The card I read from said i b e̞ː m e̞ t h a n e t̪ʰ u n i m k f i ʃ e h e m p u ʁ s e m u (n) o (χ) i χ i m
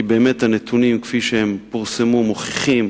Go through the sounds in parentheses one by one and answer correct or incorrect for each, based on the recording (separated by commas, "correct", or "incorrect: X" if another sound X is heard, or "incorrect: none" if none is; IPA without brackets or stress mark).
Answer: incorrect: m, correct